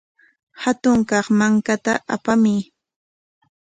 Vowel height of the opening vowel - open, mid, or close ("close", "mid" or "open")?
open